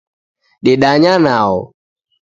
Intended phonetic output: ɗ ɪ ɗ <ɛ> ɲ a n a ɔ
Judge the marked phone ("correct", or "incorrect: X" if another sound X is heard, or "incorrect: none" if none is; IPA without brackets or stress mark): incorrect: a